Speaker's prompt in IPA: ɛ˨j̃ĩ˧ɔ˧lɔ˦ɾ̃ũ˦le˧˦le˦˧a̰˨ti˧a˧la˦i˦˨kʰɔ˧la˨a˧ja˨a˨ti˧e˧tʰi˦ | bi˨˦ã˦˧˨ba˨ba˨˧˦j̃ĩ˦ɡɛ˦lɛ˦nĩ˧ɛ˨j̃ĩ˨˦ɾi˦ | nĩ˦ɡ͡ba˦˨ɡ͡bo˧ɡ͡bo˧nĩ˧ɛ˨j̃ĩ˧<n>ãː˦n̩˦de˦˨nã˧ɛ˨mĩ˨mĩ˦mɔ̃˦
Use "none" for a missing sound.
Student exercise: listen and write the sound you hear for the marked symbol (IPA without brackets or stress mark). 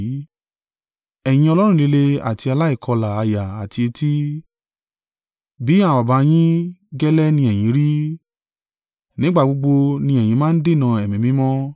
m